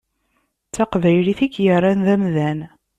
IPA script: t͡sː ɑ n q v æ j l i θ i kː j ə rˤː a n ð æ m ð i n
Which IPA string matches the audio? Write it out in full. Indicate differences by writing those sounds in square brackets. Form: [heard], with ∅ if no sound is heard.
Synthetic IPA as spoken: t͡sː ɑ [∅] q v æ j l i θ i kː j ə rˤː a n ð æ m ð [æ] n